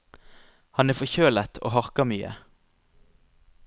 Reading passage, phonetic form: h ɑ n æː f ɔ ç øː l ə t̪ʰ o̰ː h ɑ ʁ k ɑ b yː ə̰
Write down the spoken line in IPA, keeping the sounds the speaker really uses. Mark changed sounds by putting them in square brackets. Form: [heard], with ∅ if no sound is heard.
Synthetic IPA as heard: h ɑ n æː f ɔ ç øː l ə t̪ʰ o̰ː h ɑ ʁ k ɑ [m] yː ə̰